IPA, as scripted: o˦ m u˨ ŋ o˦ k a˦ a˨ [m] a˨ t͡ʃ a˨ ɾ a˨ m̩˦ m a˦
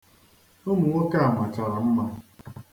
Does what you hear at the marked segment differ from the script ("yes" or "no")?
no